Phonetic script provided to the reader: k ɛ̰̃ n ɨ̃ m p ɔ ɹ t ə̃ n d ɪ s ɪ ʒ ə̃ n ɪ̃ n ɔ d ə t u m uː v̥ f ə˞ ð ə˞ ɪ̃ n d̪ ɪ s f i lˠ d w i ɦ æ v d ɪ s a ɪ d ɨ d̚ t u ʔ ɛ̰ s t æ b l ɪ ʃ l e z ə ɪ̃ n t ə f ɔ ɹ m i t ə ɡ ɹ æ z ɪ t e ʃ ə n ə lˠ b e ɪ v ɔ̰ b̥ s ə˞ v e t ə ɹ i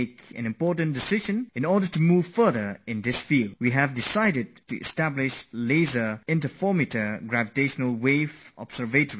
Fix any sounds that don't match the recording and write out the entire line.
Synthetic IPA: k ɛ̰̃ n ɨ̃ m p ɔ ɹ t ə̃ n d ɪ s ɪ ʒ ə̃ n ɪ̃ n ɔ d ə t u m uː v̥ f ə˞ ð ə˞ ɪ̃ n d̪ ɪ s f i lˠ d w i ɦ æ v d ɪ s a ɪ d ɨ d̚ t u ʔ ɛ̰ s t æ b l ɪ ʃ l e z ə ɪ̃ n t ə f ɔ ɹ m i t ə ɡ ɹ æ v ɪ t e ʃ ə n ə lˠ w e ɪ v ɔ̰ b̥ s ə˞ v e t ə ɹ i